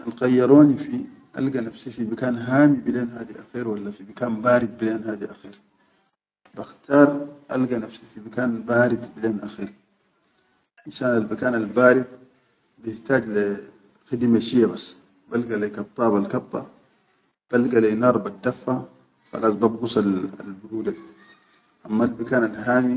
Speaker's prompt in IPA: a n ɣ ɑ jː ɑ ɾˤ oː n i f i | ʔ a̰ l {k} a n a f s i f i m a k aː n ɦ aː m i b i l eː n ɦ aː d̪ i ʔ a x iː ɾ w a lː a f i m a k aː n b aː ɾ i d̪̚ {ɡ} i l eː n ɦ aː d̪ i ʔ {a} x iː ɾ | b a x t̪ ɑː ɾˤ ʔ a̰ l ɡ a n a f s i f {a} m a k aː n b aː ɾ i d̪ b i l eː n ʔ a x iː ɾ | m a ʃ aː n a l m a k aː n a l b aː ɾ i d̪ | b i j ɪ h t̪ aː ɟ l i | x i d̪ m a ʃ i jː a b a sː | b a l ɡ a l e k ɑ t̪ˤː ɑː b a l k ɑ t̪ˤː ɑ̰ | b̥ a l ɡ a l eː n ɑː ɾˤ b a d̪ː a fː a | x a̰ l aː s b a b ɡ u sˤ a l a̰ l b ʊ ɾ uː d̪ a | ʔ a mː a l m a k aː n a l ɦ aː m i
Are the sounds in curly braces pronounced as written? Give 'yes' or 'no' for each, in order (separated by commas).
no, no, yes, no